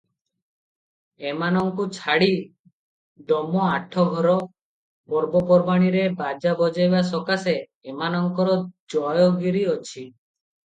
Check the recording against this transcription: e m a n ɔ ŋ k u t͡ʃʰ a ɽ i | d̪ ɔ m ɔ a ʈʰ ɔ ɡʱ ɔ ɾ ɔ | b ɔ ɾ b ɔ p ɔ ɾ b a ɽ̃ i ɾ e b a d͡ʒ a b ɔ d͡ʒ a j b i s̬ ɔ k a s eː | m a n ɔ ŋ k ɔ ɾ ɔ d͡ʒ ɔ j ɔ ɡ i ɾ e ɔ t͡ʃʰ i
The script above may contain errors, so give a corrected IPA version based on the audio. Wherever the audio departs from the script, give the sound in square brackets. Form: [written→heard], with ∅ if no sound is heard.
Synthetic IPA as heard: e m a n ɔ ŋ k u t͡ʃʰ a ɽ i | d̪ ɔ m ɔ a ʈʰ ɔ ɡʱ ɔ ɾ ɔ | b ɔ ɾ b ɔ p ɔ ɾ b a ɽ̃ i ɾ e b a d͡ʒ a b ɔ d͡ʒ a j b [i→a] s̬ ɔ k a s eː | m a n ɔ ŋ k ɔ ɾ ɔ d͡ʒ ɔ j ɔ ɡ i ɾ [e→i] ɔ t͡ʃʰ i